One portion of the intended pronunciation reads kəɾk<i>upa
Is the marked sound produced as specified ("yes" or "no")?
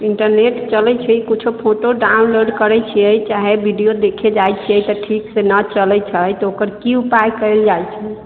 yes